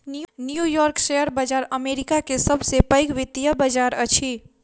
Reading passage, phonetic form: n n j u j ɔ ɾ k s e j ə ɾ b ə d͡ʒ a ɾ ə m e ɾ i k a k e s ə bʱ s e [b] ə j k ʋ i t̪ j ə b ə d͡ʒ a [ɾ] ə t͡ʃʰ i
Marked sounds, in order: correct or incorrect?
incorrect, correct

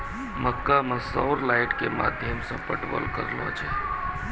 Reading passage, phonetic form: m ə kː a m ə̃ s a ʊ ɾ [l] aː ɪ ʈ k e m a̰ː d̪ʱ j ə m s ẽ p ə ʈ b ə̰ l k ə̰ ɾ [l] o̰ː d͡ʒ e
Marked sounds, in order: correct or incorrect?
correct, correct

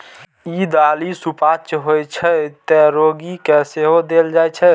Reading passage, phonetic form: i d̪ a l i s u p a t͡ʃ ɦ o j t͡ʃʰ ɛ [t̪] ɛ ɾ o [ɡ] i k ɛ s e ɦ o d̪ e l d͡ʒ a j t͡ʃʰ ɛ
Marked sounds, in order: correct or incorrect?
correct, correct

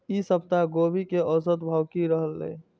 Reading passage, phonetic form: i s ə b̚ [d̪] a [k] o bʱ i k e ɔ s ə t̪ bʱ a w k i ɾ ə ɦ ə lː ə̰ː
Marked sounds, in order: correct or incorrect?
incorrect, incorrect

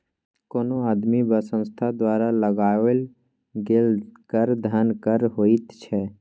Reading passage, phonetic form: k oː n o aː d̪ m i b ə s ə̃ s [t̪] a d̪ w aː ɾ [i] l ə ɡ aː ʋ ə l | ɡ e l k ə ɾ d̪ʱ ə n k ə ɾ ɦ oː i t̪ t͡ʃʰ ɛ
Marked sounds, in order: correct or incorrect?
incorrect, incorrect

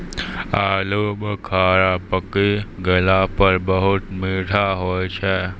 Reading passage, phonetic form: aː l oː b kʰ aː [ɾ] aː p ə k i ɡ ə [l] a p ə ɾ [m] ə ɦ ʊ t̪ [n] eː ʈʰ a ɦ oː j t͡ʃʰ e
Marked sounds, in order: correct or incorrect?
correct, correct, incorrect, incorrect

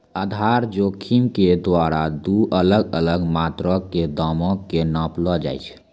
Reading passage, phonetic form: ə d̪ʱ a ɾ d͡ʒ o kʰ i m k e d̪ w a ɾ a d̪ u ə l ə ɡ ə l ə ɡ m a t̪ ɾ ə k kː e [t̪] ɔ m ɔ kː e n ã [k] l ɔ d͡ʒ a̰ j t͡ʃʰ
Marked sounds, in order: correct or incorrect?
incorrect, incorrect

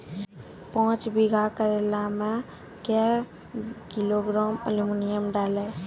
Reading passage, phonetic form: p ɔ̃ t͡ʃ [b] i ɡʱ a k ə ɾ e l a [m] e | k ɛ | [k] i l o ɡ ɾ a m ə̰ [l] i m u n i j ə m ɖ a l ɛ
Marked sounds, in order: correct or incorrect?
correct, correct, correct, correct

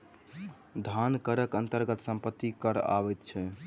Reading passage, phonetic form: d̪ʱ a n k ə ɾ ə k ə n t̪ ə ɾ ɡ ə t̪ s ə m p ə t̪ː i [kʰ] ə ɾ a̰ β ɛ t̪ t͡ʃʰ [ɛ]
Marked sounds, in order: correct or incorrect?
incorrect, correct

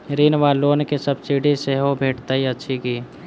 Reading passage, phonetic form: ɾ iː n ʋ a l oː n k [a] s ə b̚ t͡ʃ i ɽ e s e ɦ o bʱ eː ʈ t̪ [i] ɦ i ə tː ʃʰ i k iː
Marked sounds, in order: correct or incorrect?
incorrect, incorrect

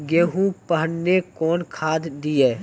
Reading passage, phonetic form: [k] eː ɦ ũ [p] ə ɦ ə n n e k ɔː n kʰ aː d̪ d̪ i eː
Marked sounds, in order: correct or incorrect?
incorrect, correct

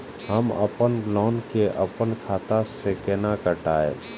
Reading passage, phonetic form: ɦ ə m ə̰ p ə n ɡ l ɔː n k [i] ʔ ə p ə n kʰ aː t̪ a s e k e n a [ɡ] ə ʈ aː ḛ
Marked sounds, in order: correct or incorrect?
incorrect, incorrect

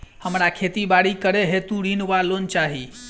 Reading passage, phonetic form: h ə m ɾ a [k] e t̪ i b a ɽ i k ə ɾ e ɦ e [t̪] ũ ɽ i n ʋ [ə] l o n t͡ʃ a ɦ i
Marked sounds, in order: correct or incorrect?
incorrect, correct, incorrect

